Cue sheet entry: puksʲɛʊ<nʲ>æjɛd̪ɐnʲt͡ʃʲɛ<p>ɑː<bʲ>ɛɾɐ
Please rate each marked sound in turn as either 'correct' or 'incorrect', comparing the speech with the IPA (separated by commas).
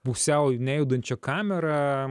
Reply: correct, incorrect, incorrect